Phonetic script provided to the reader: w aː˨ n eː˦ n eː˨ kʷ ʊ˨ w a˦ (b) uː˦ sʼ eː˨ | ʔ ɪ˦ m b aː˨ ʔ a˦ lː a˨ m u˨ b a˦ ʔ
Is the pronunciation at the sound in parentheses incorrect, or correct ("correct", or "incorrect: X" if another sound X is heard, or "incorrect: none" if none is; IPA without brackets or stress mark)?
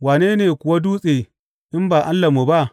incorrect: d